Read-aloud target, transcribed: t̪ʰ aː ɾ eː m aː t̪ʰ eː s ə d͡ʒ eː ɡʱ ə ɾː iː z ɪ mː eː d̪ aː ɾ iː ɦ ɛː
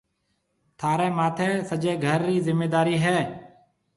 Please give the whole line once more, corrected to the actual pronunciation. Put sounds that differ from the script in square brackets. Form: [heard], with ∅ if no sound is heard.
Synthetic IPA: t̪ʰ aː ɾ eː m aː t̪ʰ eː s ə d͡ʒ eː ɡʱ ə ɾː iː z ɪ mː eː d̪ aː ɾ iː ɦ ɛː